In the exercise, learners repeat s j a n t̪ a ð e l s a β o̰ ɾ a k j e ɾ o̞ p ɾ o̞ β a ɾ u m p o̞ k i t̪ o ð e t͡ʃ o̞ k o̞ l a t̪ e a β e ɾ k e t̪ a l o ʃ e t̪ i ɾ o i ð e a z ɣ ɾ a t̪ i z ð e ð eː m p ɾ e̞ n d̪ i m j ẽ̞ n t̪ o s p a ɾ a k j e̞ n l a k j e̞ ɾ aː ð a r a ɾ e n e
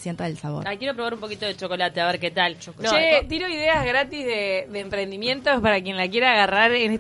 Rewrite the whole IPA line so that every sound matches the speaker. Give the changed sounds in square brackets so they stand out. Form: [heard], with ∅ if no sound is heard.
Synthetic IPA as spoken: s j [e] n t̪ a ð e l s a β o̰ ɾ a k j e ɾ o̞ p ɾ o̞ β a ɾ u m p o̞ k i t̪ o ð e t͡ʃ o̞ k o̞ l a t̪ e a β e ɾ k e t̪ a l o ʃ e t̪ i ɾ o i ð e a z ɣ ɾ a t̪ i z ð e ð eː m p ɾ e̞ n d̪ i m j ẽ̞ n t̪ o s p a ɾ a k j e̞ n l a k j e̞ ɾ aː [ɣ] a r a ɾ e n e